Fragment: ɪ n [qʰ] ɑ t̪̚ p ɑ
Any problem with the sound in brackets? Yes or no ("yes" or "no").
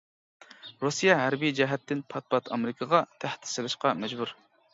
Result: yes